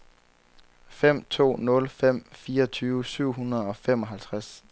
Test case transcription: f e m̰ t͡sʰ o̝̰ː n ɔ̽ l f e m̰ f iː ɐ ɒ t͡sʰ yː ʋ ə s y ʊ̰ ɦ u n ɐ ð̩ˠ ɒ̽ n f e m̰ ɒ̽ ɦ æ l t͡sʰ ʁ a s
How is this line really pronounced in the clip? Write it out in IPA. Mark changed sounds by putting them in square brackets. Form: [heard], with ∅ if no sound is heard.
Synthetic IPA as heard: f e m̰ t͡sʰ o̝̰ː n ɔ̽ l f e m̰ f iː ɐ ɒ t͡sʰ yː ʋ ə s y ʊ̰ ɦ u n ɐ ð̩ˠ ɒ̽ [∅] f e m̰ ɒ̽ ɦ æ l t͡sʰ ʁ a s